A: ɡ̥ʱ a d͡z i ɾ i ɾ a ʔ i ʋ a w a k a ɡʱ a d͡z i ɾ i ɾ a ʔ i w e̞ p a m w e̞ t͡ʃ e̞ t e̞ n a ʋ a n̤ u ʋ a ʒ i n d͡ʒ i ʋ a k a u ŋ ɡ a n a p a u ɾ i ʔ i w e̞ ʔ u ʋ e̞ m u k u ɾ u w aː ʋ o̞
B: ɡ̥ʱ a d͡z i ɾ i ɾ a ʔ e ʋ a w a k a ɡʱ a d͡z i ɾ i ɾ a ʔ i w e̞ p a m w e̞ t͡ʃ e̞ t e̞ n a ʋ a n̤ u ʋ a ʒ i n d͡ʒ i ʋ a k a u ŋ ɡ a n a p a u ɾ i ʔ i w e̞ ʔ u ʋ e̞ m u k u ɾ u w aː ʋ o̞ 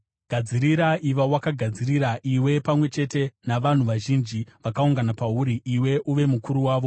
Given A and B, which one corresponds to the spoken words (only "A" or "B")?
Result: A